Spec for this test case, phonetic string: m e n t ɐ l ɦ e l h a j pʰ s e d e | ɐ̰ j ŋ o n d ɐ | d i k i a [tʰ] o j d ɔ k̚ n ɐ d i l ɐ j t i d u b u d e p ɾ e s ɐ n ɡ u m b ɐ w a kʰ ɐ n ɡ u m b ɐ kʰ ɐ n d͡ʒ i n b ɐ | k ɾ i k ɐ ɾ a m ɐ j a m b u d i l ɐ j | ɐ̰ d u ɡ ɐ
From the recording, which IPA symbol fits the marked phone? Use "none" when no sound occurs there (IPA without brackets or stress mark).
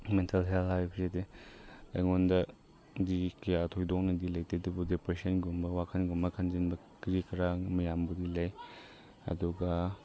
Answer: tʰ